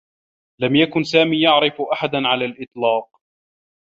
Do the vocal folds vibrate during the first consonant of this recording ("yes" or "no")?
yes